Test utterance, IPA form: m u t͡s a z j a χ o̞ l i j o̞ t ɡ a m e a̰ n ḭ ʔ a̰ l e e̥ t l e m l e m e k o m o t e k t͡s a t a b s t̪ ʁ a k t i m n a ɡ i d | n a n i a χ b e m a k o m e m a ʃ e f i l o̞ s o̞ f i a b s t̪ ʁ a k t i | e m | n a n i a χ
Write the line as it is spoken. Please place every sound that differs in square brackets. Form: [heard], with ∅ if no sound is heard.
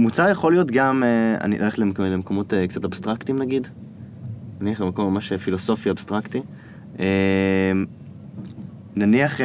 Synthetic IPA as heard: m u t͡s a [ʁ] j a χ o̞ l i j o̞ t ɡ a m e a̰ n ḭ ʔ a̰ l e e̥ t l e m l e m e k o m o t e k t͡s a t a b s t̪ ʁ a k t i m n a ɡ i d | n a n i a χ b e m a k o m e m a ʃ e f i l o̞ s o̞ f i a b s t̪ ʁ a k t i | e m | n a n i a χ